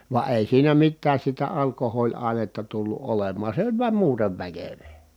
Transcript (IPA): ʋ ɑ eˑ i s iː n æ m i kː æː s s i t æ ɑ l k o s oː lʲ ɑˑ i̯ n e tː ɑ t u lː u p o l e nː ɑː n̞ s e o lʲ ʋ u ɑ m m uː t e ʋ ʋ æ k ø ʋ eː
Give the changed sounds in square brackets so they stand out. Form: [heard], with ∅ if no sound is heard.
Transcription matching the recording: ʋ ɑ eˑ i s iː n æ m i [tː] æː s s i t æ ɑ l k o [h] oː lʲ ɑˑ i̯ n e tː ɑ t u lː u [ʔ] o l e [mː] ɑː n̞ s e o lʲ ʋ u ɑ m m uː t e ʋ ʋ æ k ø ʋ eː

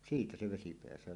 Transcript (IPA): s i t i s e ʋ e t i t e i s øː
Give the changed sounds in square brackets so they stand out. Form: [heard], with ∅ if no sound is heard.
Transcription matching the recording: s [iː] t [æ] s e ʋ e [s] i [p] e [æ] s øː

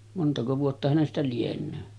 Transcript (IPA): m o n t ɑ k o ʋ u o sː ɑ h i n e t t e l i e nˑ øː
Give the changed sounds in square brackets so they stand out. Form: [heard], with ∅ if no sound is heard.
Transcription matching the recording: m o n t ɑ k o ʋ u o [tː] ɑ h [æ] n e [s] t [æ] l i e nˑ øː

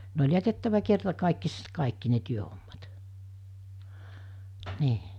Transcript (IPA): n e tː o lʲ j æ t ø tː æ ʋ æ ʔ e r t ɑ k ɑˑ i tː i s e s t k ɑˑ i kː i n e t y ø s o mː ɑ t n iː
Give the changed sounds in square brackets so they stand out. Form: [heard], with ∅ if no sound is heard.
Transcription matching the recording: n e [∅] o lʲ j æ t [e] tː æ ʋ æ [k] e r t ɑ k ɑˑ i [kː] i s e s t k ɑˑ i kː i n e t y ø [h] o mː ɑ t n iː

